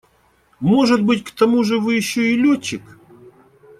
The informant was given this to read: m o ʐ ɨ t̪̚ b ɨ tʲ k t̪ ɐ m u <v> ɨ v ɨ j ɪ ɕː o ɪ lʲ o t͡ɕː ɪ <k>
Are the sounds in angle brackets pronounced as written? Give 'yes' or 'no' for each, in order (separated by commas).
no, yes